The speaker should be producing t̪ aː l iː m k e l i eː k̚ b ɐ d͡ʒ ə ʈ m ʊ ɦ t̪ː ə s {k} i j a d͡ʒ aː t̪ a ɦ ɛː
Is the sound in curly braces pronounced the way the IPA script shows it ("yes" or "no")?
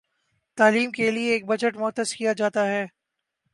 yes